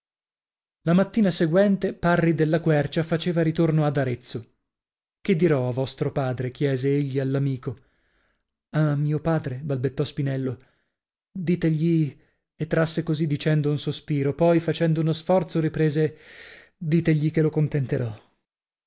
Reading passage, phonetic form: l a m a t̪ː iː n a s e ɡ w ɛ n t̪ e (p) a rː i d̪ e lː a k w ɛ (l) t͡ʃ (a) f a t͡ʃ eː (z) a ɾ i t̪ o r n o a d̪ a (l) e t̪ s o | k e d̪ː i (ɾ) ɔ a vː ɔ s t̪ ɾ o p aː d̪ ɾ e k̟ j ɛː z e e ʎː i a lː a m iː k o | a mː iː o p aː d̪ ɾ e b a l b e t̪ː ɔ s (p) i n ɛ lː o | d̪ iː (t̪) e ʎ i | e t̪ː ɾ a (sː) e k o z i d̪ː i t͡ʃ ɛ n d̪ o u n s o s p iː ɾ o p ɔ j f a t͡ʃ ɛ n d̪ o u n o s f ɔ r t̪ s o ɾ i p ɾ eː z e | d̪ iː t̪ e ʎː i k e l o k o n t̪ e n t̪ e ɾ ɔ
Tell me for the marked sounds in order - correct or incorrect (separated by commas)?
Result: correct, incorrect, correct, incorrect, incorrect, correct, correct, correct, correct